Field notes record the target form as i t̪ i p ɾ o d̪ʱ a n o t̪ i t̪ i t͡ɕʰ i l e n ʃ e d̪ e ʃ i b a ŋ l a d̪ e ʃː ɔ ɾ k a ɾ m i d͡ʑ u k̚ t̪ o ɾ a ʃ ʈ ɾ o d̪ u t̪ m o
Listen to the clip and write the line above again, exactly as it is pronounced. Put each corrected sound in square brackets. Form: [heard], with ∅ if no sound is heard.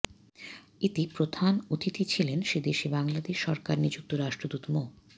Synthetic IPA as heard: i t̪ i p ɾ o d̪ʱ a n o t̪ i t̪ i t͡ɕʰ i l e n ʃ e d̪ e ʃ i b a ŋ l a d̪ e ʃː ɔ ɾ k a ɾ [n] i d͡ʑ u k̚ t̪ o ɾ a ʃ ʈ ɾ o d̪ u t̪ m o